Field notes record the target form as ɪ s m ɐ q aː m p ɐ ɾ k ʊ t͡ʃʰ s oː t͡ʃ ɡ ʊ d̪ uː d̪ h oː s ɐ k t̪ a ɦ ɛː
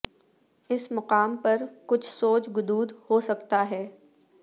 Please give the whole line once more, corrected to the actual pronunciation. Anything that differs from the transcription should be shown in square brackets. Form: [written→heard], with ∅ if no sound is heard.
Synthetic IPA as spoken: ɪ s m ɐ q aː m p ɐ ɾ k ʊ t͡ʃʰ s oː t͡ʃ ɡ ʊ d̪ uː d̪ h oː s ɐ k t̪ a ɦ ɛː